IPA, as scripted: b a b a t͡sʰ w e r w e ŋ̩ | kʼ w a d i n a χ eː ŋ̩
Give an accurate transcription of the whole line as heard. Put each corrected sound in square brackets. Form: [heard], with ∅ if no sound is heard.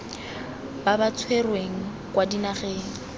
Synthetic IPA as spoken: b a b a t͡sʰ w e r w e ŋ̩ | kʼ w a d i n a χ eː ŋ̩